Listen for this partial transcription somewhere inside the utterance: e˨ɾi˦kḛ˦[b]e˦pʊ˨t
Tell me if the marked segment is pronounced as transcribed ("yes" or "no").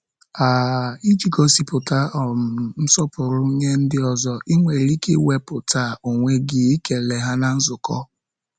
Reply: no